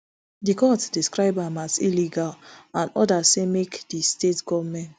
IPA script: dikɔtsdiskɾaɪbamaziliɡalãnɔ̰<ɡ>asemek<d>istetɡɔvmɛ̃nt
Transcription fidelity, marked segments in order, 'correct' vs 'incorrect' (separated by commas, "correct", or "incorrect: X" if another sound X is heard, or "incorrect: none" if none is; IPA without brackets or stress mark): incorrect: d, correct